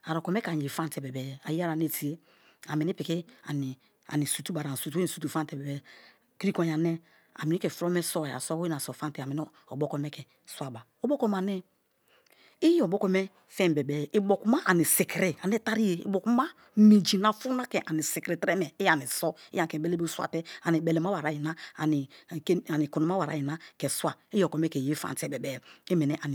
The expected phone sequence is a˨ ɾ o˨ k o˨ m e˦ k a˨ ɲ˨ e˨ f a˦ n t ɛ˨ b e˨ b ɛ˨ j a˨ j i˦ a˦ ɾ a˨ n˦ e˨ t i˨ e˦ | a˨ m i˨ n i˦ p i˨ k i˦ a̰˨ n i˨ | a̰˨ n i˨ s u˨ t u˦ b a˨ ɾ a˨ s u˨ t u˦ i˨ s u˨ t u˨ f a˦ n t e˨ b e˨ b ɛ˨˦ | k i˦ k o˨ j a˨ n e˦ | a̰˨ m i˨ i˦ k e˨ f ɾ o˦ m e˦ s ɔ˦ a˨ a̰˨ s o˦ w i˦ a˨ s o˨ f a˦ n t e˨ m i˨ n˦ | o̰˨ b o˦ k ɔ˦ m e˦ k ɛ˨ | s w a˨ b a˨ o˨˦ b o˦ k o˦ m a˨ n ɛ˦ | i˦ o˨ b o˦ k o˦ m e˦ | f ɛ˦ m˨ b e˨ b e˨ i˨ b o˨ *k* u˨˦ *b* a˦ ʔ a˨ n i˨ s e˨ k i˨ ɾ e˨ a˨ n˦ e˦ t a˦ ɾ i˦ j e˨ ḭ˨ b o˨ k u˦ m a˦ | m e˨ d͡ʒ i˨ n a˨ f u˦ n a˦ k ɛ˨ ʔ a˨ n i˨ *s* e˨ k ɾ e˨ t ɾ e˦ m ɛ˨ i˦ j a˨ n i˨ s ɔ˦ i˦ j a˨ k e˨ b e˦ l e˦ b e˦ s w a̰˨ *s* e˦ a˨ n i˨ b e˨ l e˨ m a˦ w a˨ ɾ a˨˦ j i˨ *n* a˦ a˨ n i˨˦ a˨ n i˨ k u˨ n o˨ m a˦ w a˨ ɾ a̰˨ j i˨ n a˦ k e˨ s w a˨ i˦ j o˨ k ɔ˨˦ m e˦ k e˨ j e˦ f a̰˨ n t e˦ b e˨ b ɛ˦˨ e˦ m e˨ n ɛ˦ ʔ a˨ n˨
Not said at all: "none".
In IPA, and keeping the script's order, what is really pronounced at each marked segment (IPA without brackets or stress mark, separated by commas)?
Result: k, m, s, t, n